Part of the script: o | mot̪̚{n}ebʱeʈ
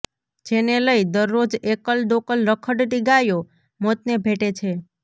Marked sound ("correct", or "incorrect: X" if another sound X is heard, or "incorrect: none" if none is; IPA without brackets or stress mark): correct